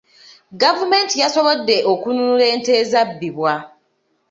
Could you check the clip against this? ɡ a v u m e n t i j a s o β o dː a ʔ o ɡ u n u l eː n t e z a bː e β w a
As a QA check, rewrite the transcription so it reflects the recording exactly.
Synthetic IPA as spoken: ɡ a v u m e n t i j a s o β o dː e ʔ o k u n u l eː n t e z a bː i β w a